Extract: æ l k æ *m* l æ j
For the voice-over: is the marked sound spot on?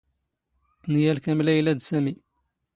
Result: yes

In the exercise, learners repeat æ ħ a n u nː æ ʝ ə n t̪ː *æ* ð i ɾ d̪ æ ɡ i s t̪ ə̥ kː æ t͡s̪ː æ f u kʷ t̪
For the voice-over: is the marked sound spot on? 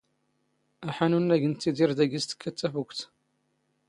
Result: no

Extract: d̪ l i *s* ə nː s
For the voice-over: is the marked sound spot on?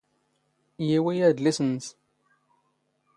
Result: yes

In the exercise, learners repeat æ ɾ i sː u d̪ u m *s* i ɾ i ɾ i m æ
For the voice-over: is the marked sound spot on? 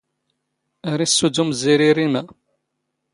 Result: no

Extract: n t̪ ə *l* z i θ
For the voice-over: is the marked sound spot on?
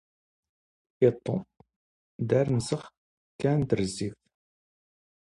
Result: no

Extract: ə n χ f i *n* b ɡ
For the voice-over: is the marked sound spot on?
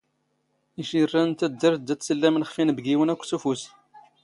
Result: yes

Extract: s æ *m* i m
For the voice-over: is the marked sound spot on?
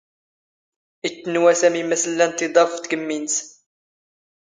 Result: yes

